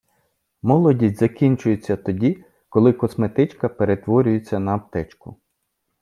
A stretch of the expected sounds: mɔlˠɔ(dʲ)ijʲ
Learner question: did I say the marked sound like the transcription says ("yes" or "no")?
yes